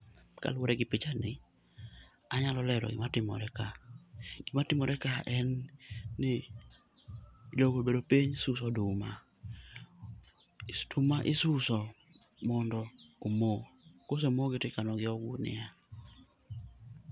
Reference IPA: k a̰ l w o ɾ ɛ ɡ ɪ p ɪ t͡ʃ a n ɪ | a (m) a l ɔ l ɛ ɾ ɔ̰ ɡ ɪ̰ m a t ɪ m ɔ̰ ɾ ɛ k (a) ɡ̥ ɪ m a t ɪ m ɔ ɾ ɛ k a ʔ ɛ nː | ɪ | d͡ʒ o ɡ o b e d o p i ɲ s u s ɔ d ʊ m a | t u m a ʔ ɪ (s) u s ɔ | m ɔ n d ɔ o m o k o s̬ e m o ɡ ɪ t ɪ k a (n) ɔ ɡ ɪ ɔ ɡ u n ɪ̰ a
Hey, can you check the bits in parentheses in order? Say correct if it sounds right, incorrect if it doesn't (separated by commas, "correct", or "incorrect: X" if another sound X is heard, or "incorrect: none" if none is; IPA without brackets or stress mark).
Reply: incorrect: ɲ, correct, correct, correct